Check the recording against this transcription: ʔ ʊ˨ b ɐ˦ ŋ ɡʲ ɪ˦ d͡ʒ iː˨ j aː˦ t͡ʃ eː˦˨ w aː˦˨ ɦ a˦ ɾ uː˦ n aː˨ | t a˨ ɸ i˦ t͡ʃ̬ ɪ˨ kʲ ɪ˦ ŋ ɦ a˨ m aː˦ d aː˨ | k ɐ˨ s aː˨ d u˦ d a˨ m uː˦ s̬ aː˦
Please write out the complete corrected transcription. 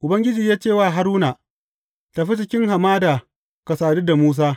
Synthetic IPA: ʔ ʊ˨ b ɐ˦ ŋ ɡʲ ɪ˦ d͡ʒ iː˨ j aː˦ t͡ʃ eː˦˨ w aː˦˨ ɦ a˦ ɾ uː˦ n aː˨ | t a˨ ɸ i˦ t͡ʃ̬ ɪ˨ kʲ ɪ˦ ŋ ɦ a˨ m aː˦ d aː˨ | k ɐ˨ s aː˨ d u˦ d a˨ m uː˦ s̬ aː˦